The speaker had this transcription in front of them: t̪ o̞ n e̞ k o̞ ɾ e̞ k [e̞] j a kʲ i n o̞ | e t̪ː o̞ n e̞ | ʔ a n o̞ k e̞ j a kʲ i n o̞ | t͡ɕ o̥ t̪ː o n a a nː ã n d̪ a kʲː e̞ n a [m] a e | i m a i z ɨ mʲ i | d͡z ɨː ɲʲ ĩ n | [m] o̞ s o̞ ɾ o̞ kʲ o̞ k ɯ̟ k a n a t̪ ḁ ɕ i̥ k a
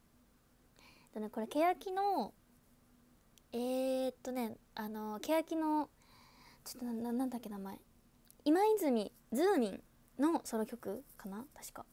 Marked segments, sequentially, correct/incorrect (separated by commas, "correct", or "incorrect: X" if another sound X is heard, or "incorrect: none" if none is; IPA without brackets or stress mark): correct, correct, incorrect: n